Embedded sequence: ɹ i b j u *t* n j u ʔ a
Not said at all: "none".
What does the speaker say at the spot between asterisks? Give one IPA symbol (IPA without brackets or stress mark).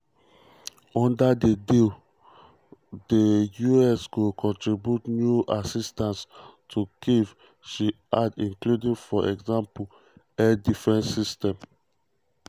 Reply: t